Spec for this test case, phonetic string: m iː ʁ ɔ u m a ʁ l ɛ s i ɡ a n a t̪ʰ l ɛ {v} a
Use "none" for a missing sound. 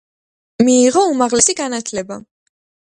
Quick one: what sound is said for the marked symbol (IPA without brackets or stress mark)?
b